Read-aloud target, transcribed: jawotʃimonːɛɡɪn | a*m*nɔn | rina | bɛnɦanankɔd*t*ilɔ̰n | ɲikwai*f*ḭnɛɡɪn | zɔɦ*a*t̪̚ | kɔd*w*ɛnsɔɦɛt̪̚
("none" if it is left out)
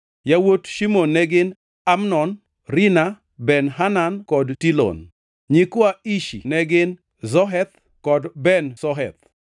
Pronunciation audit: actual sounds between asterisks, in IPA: m, t, ʃ, ɛ, b

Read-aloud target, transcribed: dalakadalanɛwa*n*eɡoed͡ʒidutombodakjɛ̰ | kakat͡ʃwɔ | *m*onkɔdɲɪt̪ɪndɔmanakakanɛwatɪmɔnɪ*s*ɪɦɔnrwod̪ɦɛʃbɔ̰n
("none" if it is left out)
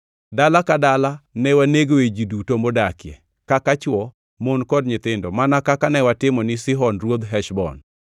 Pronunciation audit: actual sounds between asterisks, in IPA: n, m, s

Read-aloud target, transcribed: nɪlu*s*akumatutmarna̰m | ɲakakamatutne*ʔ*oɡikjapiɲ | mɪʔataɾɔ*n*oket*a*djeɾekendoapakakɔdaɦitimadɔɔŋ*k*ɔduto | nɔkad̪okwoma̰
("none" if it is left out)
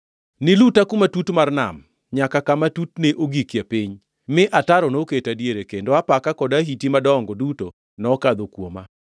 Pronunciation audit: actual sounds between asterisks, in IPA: t, ʔ, n, a, ɡ

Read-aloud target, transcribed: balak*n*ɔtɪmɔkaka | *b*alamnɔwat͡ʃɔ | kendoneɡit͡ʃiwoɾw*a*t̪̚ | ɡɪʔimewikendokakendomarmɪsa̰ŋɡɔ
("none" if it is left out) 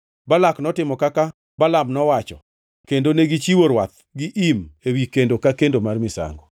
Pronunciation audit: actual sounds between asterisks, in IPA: n, b, a

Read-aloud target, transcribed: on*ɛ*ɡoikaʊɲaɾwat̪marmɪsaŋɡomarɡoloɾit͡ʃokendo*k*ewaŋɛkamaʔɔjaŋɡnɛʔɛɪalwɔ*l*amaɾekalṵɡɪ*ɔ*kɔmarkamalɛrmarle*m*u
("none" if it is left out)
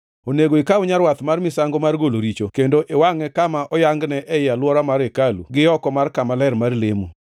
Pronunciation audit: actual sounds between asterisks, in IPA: e, ʔ, ɾ, ɔ, m

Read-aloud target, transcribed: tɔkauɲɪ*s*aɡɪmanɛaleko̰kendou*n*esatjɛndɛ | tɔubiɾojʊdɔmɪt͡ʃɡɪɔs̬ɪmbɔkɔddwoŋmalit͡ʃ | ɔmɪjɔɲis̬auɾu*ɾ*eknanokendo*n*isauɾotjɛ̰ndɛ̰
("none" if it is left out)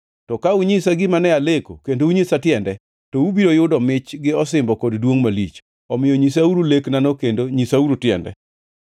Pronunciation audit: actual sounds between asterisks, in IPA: s, ɲ, l, ɲ

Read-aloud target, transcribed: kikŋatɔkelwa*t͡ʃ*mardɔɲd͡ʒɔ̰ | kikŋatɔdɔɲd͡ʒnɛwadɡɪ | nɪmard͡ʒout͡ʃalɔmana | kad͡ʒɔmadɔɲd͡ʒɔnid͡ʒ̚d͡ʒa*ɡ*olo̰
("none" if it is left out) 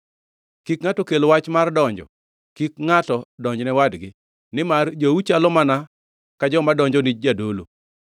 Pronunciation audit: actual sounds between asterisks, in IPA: t͡ʃ, d

